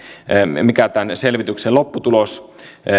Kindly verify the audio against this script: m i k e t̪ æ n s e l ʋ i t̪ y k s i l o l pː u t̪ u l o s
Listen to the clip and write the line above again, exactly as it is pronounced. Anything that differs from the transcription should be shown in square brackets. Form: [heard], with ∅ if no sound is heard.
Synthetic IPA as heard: m i k [æ] t̪ æ n s e l ʋ i t̪ y k s [e] l o [∅] pː u t̪ u l o s